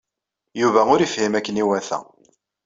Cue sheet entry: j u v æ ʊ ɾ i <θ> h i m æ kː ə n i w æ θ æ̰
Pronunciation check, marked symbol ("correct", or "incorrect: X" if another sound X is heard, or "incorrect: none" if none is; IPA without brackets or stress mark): incorrect: f